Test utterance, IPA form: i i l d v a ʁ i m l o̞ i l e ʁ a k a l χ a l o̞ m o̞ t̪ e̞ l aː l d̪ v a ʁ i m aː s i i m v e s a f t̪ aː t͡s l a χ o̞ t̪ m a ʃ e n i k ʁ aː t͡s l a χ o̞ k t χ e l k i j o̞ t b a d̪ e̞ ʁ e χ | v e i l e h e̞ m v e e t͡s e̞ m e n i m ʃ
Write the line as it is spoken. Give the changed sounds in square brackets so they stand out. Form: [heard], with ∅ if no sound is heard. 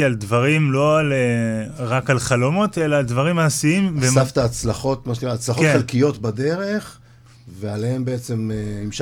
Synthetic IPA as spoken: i [a] l d v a ʁ i m l o̞ [a] l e ʁ a k a l χ a l o̞ m o̞ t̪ e̞ l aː l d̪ v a ʁ i m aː s i i m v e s a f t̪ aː t͡s l a χ o̞ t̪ m a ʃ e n i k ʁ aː t͡s l a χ o̞ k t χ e l k i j o̞ t b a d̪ e̞ ʁ e χ | v e [a] l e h e̞ m [b] e e t͡s e̞ m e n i m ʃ